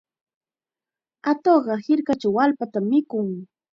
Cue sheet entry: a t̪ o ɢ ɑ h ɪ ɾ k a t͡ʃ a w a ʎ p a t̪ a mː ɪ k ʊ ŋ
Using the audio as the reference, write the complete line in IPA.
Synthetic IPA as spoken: a t̪ o ɢ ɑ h ɪ ɾ k a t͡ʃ a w a l p a t̪ a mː ɪ k ʊ ŋ

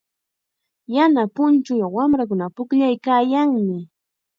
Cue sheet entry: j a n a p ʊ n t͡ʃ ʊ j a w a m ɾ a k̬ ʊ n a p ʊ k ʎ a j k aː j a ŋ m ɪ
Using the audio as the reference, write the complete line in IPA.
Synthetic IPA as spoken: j a n a p ʊ n t͡ʃ ʊ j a w a m ɾ a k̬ ʊ n a p ʊ k ʎ a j k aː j a ŋ m ɪ

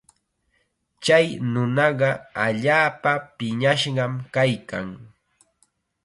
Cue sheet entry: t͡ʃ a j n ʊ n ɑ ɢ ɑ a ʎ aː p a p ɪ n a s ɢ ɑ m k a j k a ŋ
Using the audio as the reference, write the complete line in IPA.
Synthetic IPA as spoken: t͡ʃ a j n ʊ n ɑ ɢ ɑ a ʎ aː p a p ɪ ɲ a ʃ ɢ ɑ m k a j k a ŋ

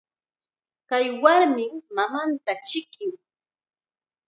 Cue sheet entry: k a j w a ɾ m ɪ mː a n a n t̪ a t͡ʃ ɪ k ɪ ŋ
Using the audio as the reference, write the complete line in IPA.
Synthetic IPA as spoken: k a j w a ɾ m ɪ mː a m a n t̪ a t͡ʃ ɪ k ɪ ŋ

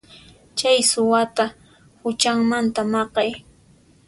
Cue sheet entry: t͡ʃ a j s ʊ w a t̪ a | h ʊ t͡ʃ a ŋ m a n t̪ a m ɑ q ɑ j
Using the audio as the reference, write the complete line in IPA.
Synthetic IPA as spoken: t͡ʃ a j s ʊ w a t̪ a | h ʊ t͡ʃ a ŋ m a n t̪ a m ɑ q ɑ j

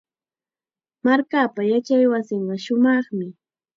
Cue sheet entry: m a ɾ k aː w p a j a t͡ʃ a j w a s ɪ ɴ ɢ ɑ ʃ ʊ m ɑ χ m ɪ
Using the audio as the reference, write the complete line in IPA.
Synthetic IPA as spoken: m a ɾ k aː p a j a t͡ʃ a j w a s ɪ ɴ ɢ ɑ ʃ ʊ m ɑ χ m ɪ

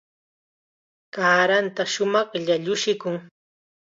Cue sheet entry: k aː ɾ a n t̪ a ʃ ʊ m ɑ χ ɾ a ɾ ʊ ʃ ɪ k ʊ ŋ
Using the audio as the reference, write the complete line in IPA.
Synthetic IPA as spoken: k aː ɾ a n t̪ a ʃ ʊ m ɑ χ ʎ a ʎ ʊ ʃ ɪ k ʊ ŋ

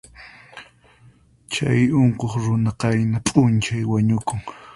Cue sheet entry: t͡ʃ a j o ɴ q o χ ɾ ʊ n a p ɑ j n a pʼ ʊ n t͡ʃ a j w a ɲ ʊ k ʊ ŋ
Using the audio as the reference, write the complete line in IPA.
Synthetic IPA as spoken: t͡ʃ a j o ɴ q o χ ɾ ʊ n a q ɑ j n a pʼ ʊ n t͡ʃ a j w a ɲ ʊ k ʊ ŋ

